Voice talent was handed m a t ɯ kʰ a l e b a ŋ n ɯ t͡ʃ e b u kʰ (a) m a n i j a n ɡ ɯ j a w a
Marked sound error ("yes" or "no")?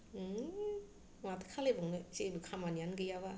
no